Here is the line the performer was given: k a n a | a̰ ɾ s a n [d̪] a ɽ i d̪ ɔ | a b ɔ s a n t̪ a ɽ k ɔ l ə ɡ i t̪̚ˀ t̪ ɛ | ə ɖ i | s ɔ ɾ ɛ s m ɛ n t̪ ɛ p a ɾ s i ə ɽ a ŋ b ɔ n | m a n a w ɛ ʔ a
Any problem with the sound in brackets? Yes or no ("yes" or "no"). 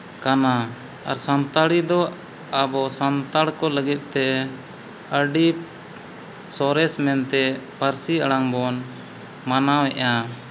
yes